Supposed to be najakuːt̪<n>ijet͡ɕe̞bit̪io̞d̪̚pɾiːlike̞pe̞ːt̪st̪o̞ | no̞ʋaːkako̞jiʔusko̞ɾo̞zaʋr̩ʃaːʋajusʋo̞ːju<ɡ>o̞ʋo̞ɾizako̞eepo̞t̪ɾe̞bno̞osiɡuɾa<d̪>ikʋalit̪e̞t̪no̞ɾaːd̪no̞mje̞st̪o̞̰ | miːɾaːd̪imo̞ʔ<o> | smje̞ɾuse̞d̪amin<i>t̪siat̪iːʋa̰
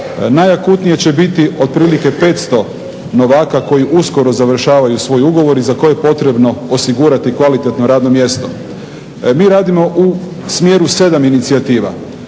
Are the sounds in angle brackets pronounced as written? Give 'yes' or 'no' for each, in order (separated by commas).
yes, yes, no, no, yes